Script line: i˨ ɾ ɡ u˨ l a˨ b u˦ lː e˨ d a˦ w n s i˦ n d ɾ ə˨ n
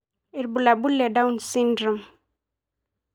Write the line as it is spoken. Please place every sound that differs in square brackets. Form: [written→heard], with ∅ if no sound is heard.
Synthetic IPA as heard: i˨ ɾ [ɡ→b] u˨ l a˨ b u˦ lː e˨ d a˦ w n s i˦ n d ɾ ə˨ [n→m]